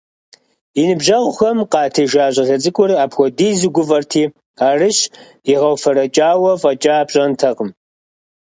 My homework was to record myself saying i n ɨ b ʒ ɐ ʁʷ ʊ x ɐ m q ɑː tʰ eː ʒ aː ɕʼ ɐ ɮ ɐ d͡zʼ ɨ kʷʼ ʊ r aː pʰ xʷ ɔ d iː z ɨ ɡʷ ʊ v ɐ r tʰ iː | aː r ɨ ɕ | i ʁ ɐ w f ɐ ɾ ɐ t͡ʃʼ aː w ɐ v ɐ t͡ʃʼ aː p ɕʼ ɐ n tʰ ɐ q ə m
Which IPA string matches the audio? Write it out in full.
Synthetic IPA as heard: i n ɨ b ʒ ɐ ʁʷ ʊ x ɐ m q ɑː tʰ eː ʒ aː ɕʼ ɐ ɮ ɐ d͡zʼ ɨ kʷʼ ʊ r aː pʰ xʷ ɔ d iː z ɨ ɡʷ ʊ v ɐ r tʰ iː | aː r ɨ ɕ | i ʁ ɐ w f ɐ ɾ ɐ t͡ʃʼ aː w ɐ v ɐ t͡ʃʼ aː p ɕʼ ɐ n tʰ ɐ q ə m